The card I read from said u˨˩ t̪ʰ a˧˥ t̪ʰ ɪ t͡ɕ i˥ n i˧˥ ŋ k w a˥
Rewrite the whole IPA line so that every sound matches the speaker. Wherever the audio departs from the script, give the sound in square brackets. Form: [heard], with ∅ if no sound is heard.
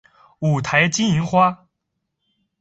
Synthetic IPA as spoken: u˨˩ t̪ʰ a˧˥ [∅] ɪ t͡ɕ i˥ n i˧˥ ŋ [x] w a˥